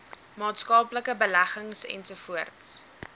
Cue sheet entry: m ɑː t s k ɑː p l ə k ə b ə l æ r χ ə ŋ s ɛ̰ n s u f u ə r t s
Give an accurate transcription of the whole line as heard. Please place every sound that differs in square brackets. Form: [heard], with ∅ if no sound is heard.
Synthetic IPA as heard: m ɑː t s k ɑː p l ə k ə b ə l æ [∅] χ ə ŋ s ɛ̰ n s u f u ə r t s